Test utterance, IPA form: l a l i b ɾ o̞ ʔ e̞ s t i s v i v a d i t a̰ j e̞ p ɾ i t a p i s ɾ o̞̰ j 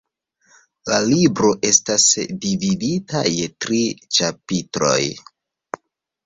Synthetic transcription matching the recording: l a l i b ɾ o̞ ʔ e̞ s t a s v i v i d i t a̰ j e̞ t ɾ i t͡ʃ a p i t ɾ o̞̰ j